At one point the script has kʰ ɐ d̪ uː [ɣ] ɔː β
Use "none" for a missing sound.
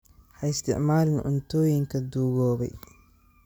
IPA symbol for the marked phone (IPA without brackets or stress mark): ɣ